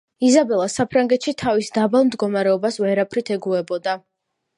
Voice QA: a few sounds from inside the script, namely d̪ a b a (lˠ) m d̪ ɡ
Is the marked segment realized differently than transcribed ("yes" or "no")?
no